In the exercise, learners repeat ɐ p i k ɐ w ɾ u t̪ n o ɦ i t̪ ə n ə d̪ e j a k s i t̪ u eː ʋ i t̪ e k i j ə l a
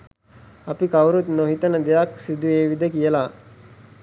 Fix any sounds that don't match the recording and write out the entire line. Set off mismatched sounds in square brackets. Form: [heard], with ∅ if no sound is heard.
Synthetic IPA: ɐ p i k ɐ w ɾ u t̪ n o ɦ i t̪ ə n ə d̪ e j a k s i [d̪] u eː ʋ i [d̪] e k i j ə l a